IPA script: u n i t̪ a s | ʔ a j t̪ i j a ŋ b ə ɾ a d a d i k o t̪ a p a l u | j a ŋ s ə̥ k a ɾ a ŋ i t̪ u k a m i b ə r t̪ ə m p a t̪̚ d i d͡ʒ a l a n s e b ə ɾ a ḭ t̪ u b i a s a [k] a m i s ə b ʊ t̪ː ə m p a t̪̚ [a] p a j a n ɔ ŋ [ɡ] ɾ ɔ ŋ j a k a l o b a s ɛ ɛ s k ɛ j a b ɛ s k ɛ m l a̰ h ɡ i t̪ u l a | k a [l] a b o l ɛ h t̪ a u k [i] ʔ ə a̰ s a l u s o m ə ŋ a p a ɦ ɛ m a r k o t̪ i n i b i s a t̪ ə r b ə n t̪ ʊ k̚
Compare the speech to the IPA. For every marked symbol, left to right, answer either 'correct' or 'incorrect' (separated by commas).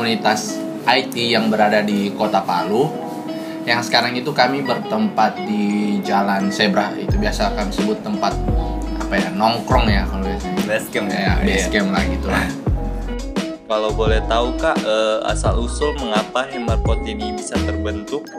correct, correct, incorrect, correct, incorrect